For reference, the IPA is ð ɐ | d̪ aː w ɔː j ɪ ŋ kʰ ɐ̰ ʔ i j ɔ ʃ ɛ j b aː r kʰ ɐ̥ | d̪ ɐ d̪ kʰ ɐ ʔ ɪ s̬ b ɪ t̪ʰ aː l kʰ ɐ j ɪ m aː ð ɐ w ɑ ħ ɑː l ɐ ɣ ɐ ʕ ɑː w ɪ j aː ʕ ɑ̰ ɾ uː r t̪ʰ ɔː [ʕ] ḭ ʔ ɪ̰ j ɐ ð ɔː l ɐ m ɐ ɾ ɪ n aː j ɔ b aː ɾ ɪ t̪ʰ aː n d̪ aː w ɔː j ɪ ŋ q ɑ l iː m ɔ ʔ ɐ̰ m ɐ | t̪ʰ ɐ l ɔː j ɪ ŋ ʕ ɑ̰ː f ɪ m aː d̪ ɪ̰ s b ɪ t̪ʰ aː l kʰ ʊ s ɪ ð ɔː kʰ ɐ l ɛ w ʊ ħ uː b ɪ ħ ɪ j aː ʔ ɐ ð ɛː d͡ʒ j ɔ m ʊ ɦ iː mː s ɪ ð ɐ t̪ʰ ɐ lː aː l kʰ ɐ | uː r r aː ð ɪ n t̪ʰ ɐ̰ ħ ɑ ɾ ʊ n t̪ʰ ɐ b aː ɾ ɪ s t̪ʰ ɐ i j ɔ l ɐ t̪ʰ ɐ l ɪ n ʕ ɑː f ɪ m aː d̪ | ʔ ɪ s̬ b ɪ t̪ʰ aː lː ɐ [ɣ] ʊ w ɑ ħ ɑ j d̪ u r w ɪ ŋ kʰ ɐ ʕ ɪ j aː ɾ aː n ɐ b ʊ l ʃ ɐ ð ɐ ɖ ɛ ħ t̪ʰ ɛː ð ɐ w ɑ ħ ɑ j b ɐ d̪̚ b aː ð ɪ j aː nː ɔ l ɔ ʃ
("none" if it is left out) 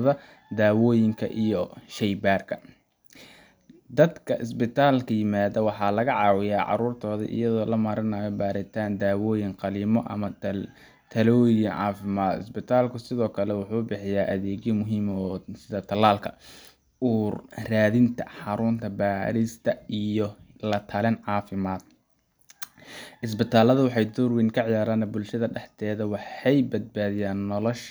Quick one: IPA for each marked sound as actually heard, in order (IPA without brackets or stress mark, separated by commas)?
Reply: ð, ð